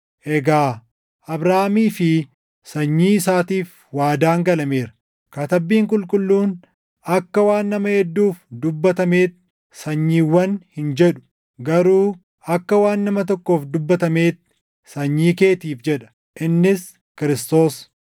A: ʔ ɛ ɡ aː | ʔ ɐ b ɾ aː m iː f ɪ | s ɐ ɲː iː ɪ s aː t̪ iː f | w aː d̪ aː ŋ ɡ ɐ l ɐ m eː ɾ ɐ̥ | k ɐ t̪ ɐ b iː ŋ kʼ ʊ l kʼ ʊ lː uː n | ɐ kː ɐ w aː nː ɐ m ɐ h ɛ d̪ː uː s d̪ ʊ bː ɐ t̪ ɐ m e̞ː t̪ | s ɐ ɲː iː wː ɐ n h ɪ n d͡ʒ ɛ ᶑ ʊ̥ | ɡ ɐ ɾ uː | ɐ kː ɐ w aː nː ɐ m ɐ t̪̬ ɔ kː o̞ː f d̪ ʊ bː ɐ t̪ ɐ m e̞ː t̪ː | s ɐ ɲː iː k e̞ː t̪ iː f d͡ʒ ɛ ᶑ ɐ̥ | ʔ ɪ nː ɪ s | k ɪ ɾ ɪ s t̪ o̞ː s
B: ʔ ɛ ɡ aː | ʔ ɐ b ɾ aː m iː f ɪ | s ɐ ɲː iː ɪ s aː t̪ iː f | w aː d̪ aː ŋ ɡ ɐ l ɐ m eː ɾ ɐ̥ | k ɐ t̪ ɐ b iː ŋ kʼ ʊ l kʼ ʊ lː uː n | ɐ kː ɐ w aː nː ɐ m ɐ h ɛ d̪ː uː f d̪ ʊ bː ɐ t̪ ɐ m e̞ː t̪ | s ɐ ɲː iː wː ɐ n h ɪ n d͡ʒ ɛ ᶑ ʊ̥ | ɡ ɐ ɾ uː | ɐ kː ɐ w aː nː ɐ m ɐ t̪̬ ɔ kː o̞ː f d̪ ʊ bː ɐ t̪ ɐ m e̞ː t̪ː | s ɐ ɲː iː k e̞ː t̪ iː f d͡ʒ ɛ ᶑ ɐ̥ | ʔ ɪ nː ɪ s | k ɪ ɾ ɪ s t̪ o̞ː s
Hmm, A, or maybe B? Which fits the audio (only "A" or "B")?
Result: B